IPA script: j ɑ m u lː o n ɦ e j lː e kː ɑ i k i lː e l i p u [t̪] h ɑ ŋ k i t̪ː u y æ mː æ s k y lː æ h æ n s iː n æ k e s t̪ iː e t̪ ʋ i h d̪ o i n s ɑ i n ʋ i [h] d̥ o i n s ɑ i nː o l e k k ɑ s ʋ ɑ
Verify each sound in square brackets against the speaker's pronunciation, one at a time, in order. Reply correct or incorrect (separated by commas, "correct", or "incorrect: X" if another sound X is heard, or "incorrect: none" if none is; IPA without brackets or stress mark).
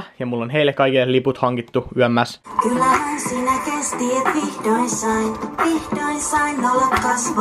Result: correct, correct